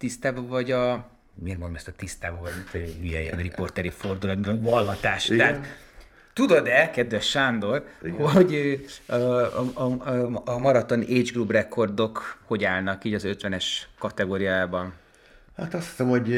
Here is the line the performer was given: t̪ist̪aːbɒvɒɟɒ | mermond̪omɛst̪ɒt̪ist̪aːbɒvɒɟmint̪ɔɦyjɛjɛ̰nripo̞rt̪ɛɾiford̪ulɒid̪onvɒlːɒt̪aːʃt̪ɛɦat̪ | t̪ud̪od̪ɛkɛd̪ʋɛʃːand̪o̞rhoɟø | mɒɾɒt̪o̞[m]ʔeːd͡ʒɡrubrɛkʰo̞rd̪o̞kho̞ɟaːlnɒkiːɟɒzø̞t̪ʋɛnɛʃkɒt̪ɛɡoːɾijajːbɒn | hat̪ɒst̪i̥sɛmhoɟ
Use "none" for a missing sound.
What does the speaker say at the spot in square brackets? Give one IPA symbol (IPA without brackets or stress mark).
n